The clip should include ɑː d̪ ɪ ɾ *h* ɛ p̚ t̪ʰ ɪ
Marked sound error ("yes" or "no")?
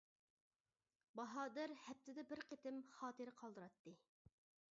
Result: no